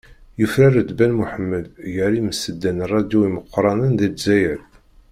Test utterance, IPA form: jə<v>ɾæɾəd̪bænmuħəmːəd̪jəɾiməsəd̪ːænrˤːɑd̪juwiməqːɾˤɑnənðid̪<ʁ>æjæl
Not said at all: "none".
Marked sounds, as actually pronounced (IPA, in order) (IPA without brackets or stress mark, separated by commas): f, z